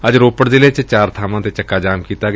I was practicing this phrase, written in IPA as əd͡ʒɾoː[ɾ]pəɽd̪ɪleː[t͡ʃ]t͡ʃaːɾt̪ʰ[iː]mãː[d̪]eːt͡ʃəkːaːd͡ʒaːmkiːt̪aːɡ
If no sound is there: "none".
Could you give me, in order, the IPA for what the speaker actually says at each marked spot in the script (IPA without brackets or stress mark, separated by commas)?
none, t͡ʃ, aː, t̪